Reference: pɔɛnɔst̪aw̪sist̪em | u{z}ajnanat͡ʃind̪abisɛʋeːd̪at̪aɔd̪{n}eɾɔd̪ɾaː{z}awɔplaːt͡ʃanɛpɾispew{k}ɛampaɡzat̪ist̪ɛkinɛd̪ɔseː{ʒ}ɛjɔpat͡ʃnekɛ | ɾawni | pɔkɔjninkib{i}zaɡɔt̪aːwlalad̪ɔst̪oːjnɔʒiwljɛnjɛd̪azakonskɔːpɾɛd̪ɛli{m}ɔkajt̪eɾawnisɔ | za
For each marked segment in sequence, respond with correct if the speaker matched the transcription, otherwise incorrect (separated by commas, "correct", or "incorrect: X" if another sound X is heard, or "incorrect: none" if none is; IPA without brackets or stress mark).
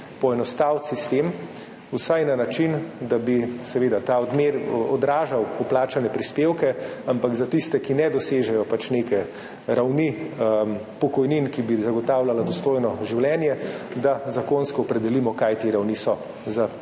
incorrect: s, incorrect: m, incorrect: ʒ, correct, correct, correct, correct